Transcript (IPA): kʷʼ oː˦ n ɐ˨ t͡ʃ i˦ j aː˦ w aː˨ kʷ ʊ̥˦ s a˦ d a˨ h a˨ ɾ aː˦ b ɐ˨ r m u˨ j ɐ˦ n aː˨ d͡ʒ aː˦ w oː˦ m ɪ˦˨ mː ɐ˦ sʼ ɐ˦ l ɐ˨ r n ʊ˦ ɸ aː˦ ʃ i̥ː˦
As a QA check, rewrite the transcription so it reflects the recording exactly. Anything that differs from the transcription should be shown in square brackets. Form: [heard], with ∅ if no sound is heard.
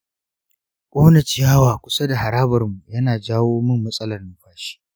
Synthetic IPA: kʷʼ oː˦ n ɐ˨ t͡ʃ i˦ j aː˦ w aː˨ kʷ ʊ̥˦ s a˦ d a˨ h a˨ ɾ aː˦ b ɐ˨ r m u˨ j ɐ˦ n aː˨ d͡ʒ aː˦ w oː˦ m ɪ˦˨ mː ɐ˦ sʼ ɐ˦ l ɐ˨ r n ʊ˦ ɸ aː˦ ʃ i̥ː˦